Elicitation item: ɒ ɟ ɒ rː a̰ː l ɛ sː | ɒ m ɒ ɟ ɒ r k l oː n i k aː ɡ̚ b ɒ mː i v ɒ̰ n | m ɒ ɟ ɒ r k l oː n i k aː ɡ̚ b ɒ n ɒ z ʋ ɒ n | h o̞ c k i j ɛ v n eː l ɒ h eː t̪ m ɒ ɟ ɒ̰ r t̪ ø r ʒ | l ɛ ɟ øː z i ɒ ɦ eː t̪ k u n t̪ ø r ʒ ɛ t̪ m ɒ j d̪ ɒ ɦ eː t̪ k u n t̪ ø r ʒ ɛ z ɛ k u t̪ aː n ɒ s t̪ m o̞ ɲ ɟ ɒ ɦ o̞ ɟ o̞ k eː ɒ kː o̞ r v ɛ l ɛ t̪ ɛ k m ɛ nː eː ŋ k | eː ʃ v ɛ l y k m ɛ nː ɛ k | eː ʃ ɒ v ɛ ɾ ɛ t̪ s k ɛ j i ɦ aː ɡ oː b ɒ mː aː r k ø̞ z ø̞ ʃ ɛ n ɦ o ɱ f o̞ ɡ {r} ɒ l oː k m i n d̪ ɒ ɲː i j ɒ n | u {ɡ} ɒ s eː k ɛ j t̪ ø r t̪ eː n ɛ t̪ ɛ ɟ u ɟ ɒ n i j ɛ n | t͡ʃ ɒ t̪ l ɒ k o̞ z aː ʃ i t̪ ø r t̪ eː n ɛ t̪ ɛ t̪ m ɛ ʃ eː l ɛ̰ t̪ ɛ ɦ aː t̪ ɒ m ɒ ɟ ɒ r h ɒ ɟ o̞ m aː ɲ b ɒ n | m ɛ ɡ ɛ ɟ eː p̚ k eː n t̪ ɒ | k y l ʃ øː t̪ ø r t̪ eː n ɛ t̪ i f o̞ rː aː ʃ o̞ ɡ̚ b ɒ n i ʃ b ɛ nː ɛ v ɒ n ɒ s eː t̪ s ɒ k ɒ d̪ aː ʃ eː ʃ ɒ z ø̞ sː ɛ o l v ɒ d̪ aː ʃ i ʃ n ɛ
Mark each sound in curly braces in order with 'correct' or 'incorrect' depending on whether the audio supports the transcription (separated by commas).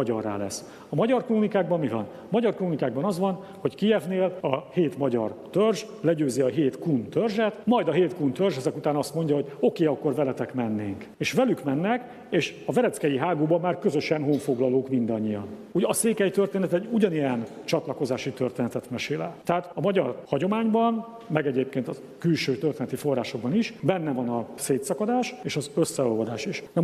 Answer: incorrect, incorrect